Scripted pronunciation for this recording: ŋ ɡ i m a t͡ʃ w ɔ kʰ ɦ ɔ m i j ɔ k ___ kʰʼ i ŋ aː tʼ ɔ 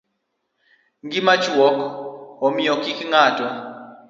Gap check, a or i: i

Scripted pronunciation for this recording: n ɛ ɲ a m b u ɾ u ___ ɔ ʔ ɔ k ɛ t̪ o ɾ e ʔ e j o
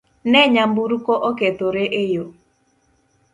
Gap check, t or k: k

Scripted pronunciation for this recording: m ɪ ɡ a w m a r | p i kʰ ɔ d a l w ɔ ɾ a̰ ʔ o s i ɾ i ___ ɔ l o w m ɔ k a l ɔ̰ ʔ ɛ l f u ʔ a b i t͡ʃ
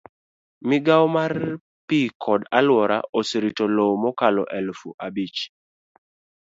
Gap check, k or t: t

